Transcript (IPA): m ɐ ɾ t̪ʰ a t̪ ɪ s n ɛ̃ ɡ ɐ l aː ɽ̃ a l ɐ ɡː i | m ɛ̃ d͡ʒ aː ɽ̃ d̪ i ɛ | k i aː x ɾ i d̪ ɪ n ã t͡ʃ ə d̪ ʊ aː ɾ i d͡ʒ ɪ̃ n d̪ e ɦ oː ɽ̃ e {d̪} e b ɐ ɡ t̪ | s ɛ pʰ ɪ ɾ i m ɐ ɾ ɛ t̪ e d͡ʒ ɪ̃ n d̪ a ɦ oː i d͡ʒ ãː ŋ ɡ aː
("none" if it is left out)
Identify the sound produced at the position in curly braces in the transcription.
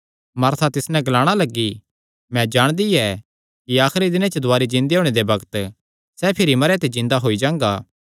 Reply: d̪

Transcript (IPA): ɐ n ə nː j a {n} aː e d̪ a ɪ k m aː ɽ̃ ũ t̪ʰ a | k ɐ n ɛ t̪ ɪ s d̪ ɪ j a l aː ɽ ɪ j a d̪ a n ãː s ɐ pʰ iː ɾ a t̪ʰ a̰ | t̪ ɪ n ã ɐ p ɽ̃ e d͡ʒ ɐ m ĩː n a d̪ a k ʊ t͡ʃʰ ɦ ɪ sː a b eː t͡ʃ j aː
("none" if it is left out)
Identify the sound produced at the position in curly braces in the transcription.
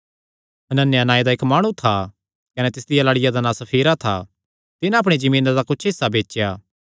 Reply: n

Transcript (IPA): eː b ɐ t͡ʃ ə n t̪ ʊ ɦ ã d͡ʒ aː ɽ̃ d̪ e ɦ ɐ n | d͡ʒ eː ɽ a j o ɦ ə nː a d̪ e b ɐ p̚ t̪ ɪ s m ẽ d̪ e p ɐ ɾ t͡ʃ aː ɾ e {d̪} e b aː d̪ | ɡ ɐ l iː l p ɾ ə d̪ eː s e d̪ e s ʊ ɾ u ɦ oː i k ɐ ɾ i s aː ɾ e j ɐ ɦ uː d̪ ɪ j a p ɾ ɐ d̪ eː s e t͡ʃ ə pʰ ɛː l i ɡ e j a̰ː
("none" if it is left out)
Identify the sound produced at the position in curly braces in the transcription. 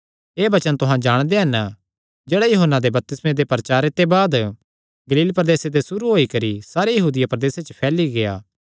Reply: t̪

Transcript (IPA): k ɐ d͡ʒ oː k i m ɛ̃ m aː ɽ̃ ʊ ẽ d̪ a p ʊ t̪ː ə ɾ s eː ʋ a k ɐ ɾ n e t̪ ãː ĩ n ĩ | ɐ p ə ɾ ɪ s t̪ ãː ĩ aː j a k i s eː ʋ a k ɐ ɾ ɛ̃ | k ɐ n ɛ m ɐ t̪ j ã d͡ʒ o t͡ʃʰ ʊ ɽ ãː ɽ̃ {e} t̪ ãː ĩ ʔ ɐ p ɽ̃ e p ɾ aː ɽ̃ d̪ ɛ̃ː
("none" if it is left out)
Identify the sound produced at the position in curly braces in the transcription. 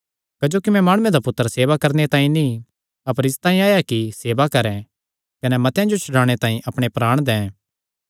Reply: e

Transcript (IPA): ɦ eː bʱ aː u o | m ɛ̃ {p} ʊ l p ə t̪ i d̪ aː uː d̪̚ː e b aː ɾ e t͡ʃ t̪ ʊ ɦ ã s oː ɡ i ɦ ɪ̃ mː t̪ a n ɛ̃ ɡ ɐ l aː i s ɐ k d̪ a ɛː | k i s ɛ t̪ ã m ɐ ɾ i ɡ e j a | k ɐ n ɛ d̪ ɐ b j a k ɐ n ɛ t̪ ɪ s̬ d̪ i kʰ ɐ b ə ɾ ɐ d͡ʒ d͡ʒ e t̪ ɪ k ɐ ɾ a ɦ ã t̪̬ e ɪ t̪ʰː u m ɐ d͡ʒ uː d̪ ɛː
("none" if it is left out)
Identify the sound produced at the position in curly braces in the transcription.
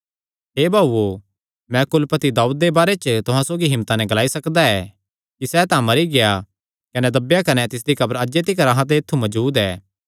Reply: k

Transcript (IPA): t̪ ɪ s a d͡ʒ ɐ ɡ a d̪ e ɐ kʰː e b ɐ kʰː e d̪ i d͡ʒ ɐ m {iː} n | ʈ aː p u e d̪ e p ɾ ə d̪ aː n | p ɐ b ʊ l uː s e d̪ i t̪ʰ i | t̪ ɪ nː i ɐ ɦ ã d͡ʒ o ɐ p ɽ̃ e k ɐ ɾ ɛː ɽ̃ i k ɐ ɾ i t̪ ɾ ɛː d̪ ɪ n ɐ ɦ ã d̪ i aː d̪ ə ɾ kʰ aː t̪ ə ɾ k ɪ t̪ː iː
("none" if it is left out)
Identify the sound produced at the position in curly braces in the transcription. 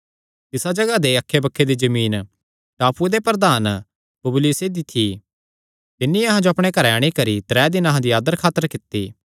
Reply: iː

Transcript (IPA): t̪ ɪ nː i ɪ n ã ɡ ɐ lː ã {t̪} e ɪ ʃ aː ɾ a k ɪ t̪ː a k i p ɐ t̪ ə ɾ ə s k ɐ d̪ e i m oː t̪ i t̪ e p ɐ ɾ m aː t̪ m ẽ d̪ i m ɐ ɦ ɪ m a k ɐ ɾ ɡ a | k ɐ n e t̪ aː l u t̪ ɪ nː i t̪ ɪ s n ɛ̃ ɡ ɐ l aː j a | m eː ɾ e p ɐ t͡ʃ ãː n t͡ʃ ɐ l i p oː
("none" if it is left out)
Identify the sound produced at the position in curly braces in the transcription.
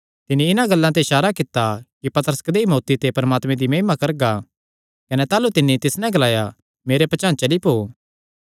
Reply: t̪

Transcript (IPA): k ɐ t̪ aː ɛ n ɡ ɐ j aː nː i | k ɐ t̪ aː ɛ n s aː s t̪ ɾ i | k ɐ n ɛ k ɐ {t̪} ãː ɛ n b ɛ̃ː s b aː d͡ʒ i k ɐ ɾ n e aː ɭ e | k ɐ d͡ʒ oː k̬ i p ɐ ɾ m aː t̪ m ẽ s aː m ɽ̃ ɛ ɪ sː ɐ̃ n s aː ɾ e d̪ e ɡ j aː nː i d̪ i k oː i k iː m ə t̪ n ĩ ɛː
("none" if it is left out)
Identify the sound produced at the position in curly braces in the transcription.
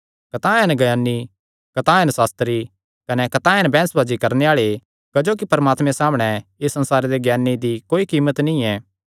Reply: t̪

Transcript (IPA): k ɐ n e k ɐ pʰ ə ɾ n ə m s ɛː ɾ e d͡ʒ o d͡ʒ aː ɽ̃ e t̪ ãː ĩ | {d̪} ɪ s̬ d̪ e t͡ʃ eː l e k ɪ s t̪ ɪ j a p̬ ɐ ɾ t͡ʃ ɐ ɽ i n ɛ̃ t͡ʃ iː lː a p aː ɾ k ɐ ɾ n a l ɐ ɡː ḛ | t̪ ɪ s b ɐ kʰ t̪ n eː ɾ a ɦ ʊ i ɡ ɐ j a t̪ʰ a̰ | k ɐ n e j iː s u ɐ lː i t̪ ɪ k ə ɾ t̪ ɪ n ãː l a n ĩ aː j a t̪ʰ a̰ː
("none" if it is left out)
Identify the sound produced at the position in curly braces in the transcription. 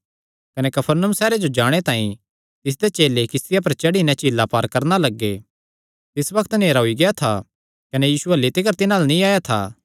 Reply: t̪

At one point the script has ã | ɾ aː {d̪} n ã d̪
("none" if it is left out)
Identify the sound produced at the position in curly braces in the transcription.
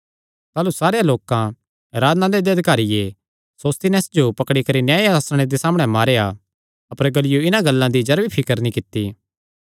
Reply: d̪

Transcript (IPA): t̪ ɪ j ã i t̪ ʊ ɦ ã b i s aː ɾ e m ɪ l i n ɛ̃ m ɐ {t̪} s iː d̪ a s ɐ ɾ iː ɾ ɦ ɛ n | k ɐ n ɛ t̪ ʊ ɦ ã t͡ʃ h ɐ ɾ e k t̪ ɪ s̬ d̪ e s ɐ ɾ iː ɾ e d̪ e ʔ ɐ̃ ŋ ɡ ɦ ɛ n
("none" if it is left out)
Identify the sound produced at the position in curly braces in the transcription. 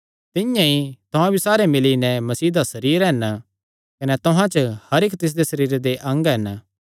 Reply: none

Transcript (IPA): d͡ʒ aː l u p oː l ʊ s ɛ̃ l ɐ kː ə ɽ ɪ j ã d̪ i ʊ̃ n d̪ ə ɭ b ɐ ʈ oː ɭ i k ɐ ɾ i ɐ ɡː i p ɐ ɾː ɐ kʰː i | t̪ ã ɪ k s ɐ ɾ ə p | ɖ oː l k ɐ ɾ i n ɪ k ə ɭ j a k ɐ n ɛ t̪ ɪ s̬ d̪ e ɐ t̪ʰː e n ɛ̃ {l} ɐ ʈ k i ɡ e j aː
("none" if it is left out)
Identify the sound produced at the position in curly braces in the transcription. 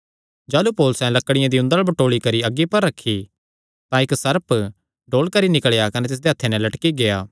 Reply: l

